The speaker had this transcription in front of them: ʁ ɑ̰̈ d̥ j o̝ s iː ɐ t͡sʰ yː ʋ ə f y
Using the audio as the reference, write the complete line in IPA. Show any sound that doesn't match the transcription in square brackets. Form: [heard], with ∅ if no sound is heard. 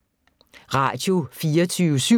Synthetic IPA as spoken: ʁ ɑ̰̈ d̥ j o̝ [f] iː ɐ t͡sʰ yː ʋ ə [s] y